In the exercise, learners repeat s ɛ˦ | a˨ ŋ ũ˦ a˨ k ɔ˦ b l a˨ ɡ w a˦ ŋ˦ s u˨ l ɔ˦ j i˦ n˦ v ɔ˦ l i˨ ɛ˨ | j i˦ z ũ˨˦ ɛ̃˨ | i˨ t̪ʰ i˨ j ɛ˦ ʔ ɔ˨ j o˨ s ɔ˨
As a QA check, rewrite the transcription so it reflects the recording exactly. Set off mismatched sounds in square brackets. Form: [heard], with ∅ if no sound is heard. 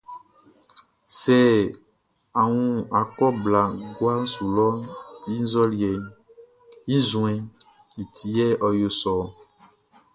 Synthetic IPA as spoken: s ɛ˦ | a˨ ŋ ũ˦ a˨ k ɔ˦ b l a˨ ɡ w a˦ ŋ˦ s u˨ l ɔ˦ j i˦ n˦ [z] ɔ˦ l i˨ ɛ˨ | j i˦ z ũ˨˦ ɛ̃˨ | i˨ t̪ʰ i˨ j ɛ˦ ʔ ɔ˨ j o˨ s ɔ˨

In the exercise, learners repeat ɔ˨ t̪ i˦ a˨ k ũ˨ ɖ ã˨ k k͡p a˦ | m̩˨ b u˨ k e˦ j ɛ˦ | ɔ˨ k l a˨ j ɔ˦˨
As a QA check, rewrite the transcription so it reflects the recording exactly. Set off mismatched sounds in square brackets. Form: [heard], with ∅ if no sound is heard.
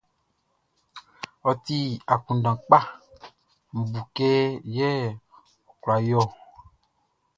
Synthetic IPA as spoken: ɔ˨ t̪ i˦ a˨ k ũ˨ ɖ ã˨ [∅] k͡p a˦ | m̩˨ b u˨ k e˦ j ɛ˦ | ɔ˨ k l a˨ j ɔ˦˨

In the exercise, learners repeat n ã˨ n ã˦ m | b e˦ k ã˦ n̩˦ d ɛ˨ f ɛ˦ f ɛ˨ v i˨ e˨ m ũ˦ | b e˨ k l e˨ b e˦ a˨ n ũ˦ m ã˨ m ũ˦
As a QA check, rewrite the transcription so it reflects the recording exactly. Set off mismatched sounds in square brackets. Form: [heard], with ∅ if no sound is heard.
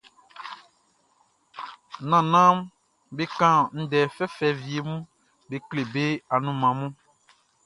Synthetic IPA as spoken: n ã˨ n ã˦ m | b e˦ k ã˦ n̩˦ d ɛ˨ f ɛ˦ f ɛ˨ v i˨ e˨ m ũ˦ | b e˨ k l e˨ b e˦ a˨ n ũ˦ m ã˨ m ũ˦

